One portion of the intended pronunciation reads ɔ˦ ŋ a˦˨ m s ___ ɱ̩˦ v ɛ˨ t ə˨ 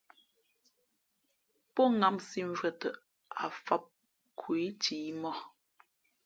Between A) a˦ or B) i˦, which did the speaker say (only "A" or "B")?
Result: B